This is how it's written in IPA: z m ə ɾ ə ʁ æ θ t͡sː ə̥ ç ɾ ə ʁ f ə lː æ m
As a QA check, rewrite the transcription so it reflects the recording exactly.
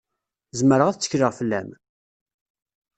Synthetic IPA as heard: z m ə ɾ ə ʁ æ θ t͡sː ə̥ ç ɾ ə ʁ f ə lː æ m